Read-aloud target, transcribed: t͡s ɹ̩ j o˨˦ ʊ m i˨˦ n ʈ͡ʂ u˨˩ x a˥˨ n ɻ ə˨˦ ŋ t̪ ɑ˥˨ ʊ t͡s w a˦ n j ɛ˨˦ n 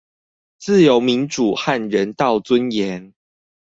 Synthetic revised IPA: t͡s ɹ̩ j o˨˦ ʊ m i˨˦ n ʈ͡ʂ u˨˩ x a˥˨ n ɻ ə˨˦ n t̪ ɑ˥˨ ʊ t͡s w ə˦ n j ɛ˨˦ n